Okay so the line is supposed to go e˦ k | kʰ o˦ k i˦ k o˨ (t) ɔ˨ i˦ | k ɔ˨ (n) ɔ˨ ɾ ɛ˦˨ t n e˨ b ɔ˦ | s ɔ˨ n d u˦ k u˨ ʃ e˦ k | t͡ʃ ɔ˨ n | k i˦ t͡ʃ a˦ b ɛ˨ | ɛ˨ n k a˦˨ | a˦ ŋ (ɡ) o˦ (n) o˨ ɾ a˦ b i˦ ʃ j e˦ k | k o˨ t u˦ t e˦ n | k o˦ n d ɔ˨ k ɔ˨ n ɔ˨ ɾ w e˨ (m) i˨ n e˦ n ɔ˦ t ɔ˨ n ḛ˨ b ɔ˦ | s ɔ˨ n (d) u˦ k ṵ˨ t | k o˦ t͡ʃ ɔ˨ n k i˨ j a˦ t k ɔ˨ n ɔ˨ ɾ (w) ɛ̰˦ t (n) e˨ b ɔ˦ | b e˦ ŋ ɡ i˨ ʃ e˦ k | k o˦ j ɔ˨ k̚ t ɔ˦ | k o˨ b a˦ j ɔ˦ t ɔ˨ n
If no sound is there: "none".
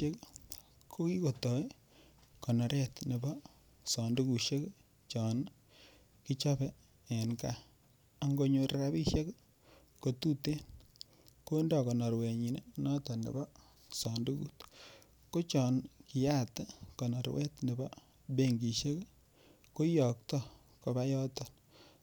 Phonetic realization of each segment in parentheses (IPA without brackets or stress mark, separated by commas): t, n, ɡ, ɲ, ɲ, d, w, n